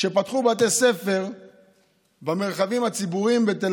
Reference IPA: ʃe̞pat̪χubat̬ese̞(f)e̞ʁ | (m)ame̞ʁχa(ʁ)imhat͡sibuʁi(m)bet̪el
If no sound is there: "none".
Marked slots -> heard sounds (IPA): f, b, v, m

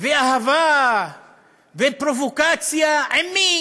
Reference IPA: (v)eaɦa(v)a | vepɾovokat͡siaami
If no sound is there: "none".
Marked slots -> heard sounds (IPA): v, v

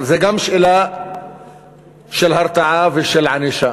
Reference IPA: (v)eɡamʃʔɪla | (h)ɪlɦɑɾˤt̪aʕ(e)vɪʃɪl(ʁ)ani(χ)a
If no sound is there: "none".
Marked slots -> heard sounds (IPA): z, ʃ, a, ʕ, ʃ

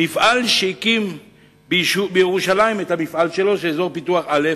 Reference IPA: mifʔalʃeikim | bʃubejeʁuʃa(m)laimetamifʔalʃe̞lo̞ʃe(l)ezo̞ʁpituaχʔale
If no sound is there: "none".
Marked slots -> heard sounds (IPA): none, none

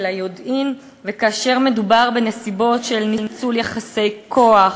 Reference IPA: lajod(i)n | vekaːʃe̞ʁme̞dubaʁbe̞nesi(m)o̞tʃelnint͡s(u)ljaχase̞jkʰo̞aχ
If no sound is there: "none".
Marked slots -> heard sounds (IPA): i, b, u

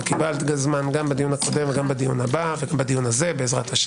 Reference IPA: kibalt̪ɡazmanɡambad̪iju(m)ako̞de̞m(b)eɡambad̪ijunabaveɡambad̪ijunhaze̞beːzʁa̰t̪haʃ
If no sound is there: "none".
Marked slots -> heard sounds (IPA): n, v

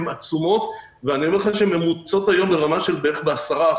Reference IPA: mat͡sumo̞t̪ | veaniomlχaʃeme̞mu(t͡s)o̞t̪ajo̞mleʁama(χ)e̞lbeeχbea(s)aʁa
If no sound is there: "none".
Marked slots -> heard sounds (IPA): t͡s, ʃ, s

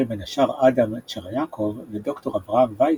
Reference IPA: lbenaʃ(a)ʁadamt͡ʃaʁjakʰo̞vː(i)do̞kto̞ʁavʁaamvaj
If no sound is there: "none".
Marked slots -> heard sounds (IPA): a, e

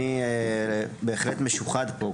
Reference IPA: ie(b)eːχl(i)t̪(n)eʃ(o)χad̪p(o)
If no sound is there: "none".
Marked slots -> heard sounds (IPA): b, e, m, u, o

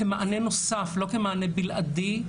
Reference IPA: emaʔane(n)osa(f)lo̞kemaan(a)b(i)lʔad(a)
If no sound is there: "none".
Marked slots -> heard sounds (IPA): n, f, e, i, i

